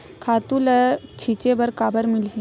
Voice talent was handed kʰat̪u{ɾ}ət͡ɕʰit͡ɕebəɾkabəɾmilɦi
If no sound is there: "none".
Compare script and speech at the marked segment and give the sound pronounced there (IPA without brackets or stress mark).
l